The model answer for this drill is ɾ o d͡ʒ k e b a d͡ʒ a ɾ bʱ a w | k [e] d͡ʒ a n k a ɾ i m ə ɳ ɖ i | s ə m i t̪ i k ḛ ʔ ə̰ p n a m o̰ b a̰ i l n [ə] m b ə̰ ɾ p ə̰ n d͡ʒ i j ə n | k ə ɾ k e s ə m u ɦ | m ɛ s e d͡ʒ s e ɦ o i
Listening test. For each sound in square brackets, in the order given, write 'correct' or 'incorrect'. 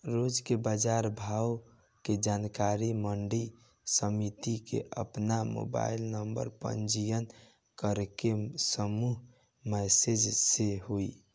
correct, correct

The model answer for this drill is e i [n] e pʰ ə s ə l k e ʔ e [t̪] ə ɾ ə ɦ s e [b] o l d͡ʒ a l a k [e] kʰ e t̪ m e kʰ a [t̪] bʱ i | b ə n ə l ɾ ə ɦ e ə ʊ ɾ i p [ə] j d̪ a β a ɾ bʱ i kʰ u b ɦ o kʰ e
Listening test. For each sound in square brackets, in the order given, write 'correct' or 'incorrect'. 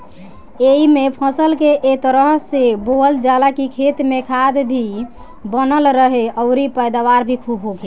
incorrect: m, correct, correct, incorrect: i, incorrect: d̪, correct

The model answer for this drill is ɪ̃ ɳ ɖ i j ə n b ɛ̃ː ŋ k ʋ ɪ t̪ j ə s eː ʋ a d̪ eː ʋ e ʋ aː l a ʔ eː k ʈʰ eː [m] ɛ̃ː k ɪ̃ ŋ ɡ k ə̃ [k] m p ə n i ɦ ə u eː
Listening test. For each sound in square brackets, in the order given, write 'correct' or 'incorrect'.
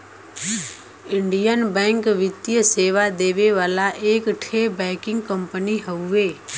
incorrect: b, incorrect: none

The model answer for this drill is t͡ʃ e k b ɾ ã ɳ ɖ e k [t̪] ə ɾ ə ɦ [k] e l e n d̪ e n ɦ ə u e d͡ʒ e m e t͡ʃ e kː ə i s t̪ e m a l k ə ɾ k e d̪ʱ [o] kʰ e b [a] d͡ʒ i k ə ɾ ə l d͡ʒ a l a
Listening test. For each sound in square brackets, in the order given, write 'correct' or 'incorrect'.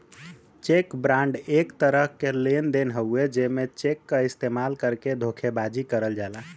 correct, correct, correct, correct

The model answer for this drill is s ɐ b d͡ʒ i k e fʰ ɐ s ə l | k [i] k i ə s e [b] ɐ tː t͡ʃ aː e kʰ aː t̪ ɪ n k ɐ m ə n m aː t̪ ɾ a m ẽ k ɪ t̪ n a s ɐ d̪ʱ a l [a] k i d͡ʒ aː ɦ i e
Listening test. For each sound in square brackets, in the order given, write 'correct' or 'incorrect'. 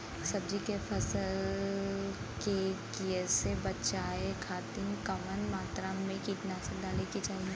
incorrect: e, correct, incorrect: e

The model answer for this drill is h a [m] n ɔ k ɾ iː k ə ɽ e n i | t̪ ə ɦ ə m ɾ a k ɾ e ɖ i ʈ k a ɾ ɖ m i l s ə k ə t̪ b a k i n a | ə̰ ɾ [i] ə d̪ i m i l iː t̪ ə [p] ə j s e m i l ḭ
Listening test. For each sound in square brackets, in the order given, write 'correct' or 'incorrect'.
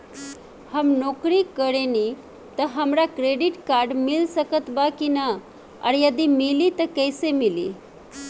correct, incorrect: j, incorrect: k

